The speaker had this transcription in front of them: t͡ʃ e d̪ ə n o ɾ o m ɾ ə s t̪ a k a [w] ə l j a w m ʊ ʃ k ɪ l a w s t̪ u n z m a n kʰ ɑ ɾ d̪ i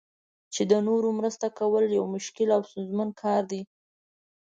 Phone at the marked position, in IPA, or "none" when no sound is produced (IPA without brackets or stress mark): w